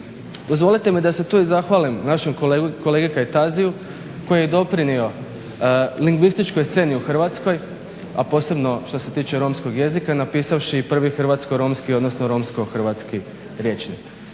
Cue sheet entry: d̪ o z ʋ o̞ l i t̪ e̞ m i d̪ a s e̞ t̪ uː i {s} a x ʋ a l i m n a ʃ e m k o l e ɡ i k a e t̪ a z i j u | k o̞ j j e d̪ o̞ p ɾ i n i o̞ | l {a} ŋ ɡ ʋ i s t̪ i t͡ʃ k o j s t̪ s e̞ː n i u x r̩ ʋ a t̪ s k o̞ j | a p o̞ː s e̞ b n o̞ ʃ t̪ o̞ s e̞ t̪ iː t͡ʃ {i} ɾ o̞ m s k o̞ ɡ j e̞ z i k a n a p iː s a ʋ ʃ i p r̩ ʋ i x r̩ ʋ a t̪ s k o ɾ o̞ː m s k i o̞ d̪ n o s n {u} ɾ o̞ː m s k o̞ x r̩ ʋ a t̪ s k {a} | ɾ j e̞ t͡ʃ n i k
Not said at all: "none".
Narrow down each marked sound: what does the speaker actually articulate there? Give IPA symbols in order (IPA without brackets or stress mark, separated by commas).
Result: z, i, e, o, i